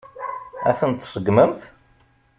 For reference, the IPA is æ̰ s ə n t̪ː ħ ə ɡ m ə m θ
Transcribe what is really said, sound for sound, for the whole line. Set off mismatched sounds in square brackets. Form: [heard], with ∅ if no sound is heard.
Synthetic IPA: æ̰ [θ] ə n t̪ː [s] ə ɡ m ə m θ